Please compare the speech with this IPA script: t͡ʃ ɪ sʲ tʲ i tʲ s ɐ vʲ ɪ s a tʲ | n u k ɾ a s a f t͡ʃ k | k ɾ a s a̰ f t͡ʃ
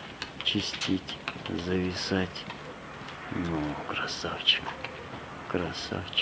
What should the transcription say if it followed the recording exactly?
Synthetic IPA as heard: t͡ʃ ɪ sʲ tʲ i tʲ z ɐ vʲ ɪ s a tʲ | n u k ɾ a s a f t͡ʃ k | k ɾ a s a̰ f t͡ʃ